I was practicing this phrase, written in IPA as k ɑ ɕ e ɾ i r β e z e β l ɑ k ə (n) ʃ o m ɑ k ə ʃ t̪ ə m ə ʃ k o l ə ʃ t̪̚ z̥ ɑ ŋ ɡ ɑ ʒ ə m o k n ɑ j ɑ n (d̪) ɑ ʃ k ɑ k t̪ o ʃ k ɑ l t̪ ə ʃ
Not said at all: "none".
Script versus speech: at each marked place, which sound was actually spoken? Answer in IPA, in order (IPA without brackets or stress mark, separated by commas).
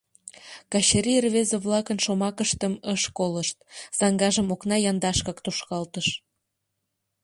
n, d̪